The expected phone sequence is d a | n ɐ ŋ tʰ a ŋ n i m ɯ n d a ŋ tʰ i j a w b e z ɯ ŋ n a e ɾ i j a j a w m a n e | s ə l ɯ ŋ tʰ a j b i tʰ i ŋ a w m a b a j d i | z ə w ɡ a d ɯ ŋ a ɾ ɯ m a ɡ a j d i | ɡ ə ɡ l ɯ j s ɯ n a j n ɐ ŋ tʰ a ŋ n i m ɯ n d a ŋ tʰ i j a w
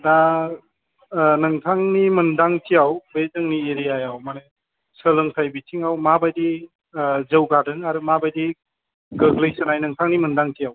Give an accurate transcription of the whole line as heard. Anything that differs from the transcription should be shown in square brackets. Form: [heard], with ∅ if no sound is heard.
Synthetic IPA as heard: d a | n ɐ ŋ tʰ a ŋ n i m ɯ n d a ŋ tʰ i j a w b e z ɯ ŋ n [i] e ɾ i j a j a w m a n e | s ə l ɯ ŋ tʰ a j b i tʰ i ŋ a w m a b a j d i | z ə w ɡ a d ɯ ŋ a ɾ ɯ m a [b] a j d i | ɡ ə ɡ l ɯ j s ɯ n a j n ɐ ŋ tʰ a ŋ n i m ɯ n d a ŋ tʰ i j a w